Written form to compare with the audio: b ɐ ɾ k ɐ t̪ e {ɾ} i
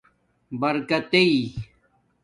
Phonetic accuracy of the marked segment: incorrect: none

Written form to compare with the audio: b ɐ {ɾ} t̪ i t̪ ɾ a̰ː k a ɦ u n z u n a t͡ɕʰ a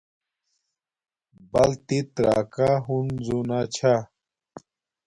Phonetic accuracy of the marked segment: incorrect: l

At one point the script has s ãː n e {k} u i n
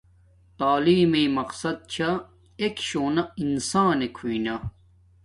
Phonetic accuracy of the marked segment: incorrect: kʰ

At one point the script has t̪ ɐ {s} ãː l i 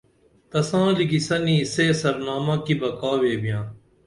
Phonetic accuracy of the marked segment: correct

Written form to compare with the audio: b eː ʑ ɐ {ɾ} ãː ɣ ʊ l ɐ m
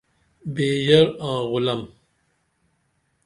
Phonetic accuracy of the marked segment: correct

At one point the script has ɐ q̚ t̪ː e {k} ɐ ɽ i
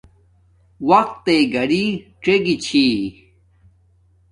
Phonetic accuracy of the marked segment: incorrect: ɡ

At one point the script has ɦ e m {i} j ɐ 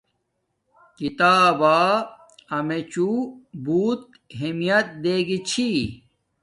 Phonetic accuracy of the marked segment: correct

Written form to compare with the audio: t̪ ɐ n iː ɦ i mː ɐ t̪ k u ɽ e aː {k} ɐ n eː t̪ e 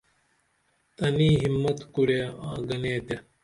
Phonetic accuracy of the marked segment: incorrect: ɡ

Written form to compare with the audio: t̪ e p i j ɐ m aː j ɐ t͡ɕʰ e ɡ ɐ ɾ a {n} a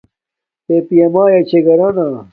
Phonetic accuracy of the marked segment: correct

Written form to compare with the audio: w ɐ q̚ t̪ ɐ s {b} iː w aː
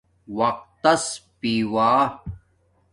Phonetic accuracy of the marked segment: incorrect: p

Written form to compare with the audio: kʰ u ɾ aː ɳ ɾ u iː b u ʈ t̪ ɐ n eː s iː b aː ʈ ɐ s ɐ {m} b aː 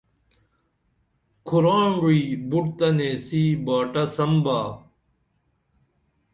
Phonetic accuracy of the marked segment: correct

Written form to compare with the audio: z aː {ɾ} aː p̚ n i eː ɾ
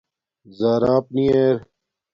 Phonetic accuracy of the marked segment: correct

